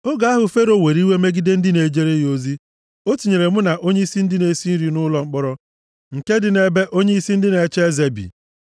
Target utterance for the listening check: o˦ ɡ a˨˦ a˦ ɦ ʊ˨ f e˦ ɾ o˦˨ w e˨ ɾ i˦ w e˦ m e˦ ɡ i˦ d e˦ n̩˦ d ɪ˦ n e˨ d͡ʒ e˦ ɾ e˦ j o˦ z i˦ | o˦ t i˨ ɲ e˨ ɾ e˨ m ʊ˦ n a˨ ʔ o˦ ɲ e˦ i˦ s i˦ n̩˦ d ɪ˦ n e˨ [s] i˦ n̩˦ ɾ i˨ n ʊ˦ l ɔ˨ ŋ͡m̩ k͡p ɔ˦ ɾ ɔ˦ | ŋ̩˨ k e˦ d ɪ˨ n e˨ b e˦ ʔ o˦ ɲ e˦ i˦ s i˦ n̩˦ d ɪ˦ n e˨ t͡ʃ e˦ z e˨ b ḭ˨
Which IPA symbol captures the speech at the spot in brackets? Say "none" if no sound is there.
s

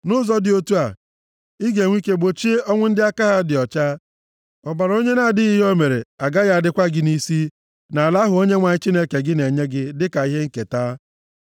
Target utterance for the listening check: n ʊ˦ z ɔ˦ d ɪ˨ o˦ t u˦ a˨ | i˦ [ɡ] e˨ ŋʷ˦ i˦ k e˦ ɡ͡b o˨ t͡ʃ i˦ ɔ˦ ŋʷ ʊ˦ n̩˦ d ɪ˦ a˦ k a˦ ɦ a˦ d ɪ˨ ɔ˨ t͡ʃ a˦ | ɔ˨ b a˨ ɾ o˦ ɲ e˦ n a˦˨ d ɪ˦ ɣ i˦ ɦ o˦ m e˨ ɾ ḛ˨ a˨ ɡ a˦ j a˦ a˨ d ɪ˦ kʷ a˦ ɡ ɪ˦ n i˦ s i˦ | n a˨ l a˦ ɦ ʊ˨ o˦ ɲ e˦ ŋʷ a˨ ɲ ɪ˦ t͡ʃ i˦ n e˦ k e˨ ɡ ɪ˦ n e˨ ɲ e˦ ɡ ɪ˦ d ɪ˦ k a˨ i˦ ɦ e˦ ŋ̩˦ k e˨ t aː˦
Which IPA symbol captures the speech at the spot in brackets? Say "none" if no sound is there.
ɡ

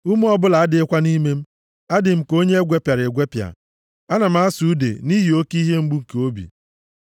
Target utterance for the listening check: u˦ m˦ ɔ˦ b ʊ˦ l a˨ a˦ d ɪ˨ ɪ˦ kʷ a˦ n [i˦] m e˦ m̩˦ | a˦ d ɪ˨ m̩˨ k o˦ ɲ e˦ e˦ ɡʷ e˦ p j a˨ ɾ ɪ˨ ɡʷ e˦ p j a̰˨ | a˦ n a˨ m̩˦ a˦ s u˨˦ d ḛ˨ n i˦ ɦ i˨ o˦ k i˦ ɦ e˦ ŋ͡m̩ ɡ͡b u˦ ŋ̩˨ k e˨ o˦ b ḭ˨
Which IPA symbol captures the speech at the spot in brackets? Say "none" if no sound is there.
i˦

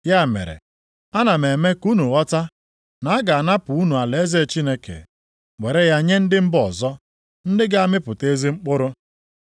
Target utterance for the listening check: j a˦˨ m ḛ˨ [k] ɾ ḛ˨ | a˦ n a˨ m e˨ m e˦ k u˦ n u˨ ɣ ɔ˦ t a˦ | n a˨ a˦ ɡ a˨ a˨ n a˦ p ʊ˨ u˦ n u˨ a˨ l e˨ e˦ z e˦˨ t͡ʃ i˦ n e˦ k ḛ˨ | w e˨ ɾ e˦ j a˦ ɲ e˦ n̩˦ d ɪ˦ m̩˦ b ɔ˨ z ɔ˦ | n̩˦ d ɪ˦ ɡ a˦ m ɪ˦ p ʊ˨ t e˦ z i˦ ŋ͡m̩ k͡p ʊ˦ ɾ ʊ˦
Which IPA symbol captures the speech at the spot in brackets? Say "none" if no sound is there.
none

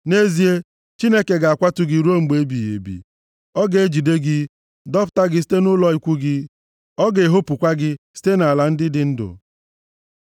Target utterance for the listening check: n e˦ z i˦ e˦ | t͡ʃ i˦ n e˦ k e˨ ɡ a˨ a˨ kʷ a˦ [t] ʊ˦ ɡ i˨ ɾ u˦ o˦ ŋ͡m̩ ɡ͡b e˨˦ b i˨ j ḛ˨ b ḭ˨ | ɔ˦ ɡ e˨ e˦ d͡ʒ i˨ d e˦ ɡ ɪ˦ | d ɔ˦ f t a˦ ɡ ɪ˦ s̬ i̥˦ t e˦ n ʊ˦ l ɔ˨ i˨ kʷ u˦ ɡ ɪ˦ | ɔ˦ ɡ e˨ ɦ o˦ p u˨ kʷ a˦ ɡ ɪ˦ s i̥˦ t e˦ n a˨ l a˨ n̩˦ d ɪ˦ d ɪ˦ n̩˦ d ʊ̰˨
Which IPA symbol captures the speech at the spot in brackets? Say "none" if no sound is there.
t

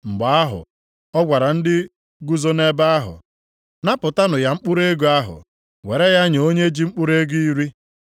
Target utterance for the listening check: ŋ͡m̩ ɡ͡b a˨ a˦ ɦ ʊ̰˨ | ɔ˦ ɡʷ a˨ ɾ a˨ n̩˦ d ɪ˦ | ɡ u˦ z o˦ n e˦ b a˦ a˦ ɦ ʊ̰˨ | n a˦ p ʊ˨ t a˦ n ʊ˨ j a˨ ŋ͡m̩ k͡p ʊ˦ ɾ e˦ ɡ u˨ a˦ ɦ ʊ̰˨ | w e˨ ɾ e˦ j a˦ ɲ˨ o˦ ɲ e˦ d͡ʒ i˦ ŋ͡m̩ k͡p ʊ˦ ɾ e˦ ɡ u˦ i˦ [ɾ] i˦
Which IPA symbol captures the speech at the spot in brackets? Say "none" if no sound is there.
ɾ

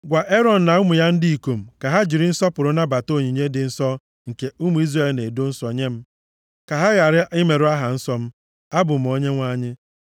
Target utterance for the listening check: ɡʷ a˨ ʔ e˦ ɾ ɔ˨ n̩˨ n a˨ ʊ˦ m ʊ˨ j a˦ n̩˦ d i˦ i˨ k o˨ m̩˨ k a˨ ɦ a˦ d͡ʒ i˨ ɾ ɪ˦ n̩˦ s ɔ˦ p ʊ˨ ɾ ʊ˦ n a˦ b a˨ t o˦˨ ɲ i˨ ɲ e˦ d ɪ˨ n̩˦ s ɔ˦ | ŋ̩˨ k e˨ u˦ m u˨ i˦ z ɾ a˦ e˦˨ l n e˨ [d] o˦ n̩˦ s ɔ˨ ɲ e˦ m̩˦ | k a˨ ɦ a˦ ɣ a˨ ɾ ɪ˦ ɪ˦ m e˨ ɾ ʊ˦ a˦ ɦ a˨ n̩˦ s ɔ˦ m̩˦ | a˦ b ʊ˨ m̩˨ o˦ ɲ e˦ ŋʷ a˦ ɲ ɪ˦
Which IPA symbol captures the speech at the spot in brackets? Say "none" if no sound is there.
d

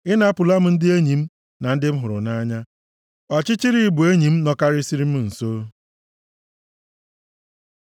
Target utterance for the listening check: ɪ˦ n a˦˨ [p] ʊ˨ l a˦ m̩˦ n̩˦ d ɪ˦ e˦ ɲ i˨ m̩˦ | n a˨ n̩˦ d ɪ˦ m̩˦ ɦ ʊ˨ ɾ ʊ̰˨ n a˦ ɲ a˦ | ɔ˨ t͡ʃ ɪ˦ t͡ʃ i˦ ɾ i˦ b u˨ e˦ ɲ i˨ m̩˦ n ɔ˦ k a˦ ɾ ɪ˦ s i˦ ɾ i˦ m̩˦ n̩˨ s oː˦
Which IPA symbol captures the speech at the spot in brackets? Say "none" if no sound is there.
p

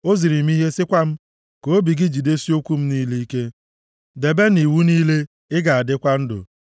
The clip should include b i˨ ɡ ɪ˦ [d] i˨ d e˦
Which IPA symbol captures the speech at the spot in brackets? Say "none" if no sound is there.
d͡ʒ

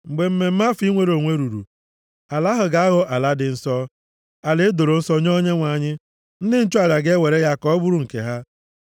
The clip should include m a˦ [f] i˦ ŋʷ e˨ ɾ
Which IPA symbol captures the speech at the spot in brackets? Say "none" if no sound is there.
f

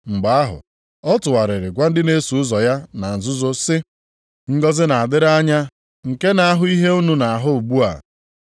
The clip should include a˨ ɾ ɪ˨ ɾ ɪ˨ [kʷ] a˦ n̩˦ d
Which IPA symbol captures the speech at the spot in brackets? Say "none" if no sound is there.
ɡʷ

